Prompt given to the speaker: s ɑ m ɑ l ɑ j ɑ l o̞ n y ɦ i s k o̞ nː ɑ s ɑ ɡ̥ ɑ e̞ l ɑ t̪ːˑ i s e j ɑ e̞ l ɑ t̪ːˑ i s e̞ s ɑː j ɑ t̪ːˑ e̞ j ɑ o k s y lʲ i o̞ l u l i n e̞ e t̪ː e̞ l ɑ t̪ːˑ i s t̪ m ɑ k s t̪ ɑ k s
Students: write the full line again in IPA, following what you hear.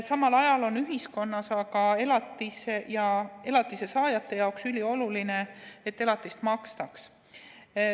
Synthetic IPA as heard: s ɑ m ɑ l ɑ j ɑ l o̞ n y ɦ i s k o̞ nː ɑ s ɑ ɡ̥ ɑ e̞ l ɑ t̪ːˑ i s e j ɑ e̞ l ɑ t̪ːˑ i s e̞ s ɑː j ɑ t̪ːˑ e̞ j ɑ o k s y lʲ i o̞ l u l i n e̞ e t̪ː e̞ l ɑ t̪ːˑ i s t̪ m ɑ k s t̪ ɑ k s